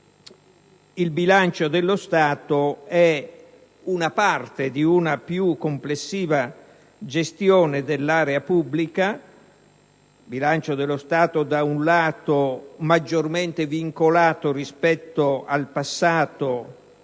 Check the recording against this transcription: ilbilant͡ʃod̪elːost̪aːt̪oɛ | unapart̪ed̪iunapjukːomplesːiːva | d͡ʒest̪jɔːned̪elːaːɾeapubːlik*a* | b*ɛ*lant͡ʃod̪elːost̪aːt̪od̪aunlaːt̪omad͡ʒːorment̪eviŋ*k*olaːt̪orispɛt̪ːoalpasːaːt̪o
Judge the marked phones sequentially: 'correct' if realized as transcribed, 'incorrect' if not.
correct, incorrect, correct

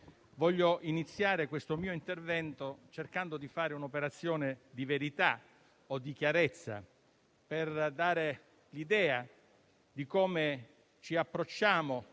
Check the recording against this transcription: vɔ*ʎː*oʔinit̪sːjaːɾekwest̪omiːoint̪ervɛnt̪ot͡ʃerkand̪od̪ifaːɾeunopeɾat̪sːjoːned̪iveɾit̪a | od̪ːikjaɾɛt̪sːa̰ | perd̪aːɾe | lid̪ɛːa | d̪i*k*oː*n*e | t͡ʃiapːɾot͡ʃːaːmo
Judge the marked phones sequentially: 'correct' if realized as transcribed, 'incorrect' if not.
correct, correct, incorrect

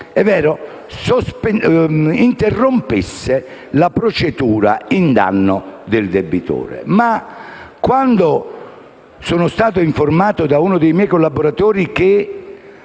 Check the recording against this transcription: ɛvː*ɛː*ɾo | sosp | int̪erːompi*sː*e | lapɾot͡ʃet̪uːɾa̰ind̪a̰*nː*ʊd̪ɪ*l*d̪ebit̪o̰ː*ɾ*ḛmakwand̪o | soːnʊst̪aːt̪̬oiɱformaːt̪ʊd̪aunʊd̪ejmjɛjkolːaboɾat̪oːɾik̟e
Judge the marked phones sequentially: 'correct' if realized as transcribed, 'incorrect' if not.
correct, correct, correct, correct, correct

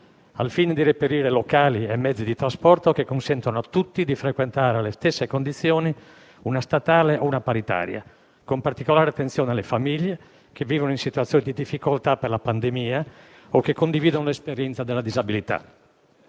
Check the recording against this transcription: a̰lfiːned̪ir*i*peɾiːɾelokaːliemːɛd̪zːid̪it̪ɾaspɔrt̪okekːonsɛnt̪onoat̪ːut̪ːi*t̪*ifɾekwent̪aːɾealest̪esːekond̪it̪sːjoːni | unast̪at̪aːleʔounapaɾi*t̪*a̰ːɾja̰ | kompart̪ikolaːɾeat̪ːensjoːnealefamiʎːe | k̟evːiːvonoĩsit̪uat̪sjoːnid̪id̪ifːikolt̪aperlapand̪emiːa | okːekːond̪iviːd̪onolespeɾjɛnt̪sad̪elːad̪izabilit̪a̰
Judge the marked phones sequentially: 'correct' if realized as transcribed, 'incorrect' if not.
incorrect, incorrect, correct

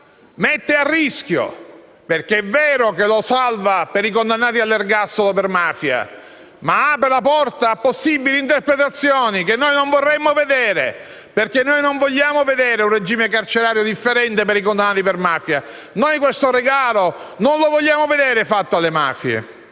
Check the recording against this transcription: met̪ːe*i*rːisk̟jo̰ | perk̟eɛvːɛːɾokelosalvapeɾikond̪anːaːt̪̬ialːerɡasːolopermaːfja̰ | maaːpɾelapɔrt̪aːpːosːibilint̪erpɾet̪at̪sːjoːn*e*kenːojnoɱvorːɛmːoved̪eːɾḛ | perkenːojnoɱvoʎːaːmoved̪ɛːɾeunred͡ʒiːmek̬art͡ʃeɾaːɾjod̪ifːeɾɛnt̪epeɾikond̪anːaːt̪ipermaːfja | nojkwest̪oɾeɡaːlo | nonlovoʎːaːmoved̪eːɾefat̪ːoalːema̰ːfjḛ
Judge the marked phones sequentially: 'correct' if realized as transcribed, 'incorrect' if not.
incorrect, incorrect

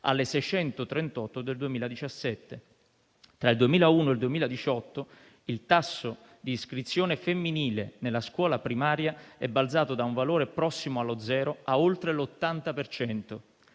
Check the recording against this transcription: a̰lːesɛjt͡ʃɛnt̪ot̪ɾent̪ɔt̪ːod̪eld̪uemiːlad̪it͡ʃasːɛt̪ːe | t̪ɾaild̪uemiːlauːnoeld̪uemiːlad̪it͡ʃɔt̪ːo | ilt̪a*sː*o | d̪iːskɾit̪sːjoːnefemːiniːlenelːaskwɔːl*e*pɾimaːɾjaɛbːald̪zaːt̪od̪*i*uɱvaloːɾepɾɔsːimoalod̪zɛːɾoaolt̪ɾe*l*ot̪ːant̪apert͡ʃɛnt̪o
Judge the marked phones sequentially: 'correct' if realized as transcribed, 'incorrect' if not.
correct, incorrect, incorrect, correct

